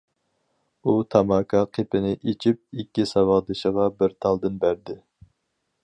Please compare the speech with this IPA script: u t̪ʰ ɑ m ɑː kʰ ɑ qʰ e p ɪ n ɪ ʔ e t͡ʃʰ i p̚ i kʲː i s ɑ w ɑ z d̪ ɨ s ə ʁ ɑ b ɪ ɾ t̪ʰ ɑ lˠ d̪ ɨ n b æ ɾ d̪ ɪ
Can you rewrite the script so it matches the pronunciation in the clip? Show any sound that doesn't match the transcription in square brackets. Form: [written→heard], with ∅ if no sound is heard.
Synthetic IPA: u t̪ʰ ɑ m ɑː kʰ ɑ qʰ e p ɪ n ɪ ʔ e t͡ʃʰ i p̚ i kʲː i s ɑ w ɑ [z→ʁ] d̪ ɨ [s→ʃ] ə ʁ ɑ b ɪ ɾ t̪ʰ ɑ lˠ d̪ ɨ n b æ ɾ d̪ ɪ

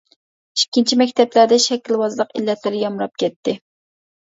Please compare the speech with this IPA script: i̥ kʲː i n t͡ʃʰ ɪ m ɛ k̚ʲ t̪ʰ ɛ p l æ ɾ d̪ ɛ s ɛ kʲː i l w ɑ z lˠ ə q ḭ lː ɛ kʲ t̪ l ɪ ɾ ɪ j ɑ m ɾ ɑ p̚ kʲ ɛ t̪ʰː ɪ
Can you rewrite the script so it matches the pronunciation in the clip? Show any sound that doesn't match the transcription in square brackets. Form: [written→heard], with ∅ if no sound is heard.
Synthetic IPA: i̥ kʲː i n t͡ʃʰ [ɪ→i] m ɛ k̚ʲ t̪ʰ ɛ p l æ ɾ d̪ ɛ [s→ʃ] ɛ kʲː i l w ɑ z lˠ ə q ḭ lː ɛ [kʲ→∅] t̪ l ɪ ɾ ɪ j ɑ m ɾ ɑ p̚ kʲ ɛ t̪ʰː ɪ

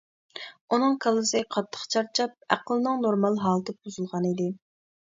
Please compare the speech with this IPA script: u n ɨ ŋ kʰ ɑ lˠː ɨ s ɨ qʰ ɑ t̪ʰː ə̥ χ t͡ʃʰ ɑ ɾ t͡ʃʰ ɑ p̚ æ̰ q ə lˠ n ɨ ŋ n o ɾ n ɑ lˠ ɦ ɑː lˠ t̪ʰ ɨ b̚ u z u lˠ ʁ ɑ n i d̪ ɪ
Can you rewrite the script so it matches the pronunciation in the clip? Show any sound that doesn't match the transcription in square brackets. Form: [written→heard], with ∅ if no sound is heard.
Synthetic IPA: u n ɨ ŋ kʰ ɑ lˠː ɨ s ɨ qʰ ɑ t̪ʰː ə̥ χ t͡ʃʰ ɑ ɾ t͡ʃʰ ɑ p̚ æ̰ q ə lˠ n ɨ ŋ n o ɾ [n→m] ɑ lˠ ɦ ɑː lˠ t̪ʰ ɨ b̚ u z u lˠ ʁ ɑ n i d̪ ɪ

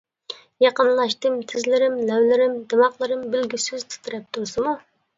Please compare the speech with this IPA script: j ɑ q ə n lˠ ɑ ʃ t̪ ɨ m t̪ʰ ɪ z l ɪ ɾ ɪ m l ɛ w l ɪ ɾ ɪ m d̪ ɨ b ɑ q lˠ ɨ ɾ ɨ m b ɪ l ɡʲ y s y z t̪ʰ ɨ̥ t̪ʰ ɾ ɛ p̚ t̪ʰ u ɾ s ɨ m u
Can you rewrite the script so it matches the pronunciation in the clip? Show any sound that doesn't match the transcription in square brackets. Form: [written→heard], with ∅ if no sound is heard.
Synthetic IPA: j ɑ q ə n lˠ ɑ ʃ t̪ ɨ m t̪ʰ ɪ z l ɪ ɾ ɪ m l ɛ w l ɪ ɾ ɪ m d̪ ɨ [b→m] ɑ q lˠ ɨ ɾ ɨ m b ɪ l ɡʲ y s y z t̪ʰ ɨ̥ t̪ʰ ɾ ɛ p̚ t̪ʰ u ɾ s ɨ m u

